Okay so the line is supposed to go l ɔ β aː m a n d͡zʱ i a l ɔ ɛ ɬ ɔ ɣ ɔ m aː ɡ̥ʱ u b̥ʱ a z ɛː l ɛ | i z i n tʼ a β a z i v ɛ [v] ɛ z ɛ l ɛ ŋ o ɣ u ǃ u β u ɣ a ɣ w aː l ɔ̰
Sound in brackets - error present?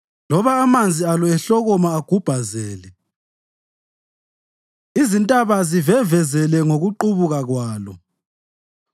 no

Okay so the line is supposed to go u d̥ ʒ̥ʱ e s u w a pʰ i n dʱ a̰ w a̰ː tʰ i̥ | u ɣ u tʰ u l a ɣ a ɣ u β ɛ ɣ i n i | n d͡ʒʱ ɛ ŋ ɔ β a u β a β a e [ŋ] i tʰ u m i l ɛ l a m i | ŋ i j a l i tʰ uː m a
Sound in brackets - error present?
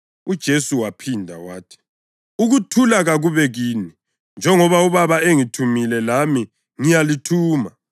no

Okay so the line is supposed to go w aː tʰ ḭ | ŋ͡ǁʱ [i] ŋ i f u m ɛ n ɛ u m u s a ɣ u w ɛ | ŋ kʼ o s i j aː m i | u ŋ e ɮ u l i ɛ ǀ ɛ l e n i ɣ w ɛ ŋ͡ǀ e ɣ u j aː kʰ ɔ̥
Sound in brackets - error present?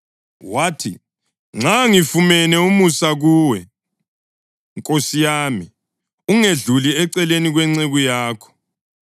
yes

